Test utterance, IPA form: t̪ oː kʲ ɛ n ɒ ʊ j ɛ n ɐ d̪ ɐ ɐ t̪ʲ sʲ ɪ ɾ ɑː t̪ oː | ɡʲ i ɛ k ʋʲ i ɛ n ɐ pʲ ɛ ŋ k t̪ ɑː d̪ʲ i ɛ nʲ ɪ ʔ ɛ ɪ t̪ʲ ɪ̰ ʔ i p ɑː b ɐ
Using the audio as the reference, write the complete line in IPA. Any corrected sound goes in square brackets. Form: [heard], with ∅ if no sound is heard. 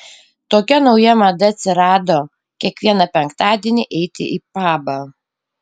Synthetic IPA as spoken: t̪ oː kʲ ɛ n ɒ ʊ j ɛ [m] ɐ d̪ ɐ ɐ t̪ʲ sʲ ɪ ɾ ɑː [d̪] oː | [kʲ] i ɛ k ʋʲ i ɛ n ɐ pʲ ɛ ŋ k t̪ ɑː d̪ʲ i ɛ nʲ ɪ ʔ ɛ ɪ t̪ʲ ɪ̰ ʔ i p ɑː b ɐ